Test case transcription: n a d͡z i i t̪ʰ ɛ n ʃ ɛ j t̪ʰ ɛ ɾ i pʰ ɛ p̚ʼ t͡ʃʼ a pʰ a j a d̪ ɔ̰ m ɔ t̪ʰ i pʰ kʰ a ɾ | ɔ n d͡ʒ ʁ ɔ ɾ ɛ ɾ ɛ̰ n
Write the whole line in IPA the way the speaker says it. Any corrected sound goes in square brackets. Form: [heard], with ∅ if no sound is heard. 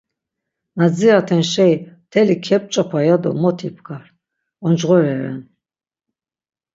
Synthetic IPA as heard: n a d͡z i [a] t̪ʰ ɛ n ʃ ɛ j t̪ʰ ɛ [l] i [kʰ] ɛ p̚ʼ t͡ʃʼ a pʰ a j a d̪ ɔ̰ m ɔ t̪ʰ i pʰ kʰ a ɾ | ɔ n d͡ʒ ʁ ɔ ɾ ɛ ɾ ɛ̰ n